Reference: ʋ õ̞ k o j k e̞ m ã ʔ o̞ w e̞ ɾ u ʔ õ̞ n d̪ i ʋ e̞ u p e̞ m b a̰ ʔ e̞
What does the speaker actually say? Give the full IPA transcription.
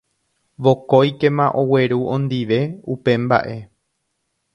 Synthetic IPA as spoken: ʋ o̞ k o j k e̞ m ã ʔ o̞ w e̞ ɾ u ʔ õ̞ n d̪ i ʋ e̞ u p e̞ m b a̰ ʔ e̞